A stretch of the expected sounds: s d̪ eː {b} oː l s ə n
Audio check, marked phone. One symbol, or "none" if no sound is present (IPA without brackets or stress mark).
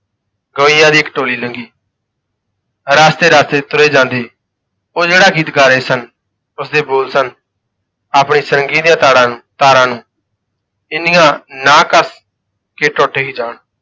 b